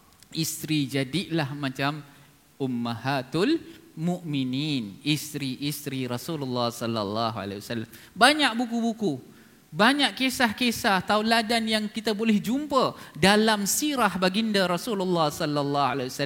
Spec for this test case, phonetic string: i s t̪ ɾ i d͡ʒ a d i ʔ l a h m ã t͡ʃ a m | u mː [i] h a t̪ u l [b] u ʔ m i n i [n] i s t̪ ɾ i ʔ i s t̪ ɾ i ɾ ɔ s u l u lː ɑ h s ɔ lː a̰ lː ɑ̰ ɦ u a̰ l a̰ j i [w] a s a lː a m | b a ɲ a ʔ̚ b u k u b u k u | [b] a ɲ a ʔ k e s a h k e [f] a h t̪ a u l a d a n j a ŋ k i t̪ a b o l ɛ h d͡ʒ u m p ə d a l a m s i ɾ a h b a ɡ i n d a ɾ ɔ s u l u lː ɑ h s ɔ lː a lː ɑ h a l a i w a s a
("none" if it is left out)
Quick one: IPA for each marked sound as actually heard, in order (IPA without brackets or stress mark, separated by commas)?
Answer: a, m, n, w, b, s